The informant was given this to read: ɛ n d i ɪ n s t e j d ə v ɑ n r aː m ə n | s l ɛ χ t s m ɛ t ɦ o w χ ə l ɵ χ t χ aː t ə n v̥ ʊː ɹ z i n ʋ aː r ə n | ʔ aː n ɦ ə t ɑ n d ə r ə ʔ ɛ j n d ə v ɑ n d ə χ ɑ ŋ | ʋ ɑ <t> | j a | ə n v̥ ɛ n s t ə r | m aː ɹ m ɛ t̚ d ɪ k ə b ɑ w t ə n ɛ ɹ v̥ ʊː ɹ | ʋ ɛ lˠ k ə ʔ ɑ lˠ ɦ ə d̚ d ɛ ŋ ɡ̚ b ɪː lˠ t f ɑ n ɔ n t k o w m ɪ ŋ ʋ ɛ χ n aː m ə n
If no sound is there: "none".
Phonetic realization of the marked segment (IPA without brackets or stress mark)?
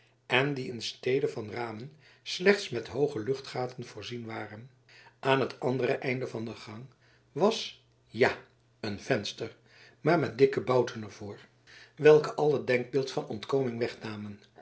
s